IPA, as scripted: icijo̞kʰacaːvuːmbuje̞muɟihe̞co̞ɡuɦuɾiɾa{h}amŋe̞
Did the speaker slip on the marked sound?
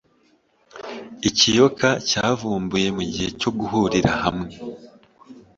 no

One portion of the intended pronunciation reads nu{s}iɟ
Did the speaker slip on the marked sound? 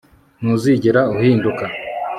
yes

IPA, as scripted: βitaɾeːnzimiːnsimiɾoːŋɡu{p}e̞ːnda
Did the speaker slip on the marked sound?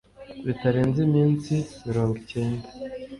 yes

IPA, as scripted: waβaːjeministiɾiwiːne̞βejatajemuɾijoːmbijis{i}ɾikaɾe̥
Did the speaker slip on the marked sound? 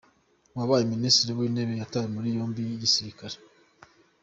no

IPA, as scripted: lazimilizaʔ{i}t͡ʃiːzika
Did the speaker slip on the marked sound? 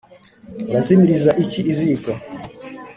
no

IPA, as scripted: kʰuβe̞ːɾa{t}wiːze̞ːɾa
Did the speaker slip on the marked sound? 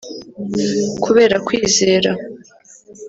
yes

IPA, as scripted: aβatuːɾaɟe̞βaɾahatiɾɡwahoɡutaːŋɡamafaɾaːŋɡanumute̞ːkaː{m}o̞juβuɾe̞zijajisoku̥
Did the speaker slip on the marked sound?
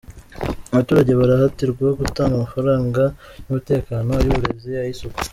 yes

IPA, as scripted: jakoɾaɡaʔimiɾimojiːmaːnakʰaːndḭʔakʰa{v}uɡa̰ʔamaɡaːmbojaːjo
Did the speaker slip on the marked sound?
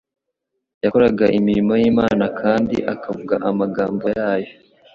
no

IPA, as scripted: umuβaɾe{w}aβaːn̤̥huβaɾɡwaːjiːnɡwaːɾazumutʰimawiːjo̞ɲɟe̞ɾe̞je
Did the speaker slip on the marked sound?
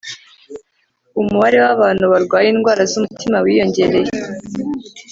no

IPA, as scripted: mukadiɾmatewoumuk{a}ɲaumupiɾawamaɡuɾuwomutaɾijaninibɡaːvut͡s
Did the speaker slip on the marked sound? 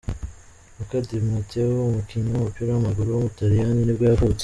yes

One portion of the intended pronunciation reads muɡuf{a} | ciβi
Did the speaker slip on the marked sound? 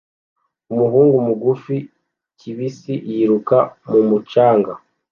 yes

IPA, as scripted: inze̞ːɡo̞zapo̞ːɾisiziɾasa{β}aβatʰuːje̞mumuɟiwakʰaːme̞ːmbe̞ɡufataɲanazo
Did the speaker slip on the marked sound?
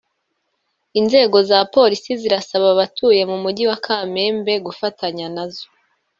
no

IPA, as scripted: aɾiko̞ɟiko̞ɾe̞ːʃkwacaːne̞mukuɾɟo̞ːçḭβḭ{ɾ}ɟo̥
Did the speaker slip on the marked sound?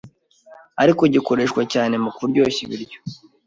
no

